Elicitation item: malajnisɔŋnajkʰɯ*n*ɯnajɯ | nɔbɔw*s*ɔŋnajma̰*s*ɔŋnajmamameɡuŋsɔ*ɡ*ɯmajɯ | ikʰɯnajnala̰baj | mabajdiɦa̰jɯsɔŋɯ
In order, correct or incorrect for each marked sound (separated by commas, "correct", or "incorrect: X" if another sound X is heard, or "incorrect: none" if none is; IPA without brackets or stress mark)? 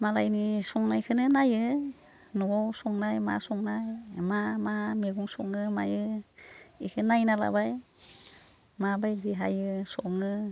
correct, correct, correct, incorrect: ŋ